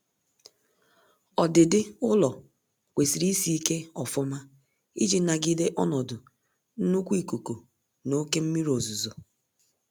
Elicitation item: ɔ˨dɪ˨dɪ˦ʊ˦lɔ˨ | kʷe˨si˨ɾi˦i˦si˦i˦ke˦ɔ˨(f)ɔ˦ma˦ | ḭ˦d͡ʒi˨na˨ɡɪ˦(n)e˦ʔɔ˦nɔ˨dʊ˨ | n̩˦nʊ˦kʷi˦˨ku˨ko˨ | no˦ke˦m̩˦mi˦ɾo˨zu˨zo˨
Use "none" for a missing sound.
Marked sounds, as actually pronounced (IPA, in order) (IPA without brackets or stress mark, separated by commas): f, d